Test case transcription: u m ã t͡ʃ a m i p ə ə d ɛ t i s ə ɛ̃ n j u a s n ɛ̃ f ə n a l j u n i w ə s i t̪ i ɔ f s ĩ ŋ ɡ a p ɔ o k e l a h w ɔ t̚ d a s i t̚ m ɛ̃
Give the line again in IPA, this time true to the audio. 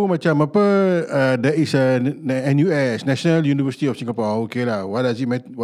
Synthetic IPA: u m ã t͡ʃ a m a p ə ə d ɛ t i s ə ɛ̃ n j u ɛ s n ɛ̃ ʃ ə n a l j u n i v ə s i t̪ i ɔ f s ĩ ŋ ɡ a p ɔ o k e l a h w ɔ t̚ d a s i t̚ m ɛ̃